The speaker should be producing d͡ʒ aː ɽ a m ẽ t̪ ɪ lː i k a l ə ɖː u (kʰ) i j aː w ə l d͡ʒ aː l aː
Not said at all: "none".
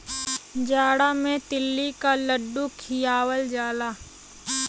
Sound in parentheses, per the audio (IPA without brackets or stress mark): kʰ